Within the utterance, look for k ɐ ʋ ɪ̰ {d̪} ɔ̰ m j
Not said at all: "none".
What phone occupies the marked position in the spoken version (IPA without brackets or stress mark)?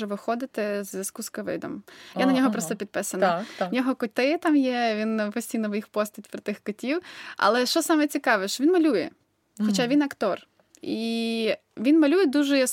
d̪